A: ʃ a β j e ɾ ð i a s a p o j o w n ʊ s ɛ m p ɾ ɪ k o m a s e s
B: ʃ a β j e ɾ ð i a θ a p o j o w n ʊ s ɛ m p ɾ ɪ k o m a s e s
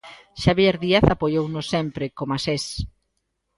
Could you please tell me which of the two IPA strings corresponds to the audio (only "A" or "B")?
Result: B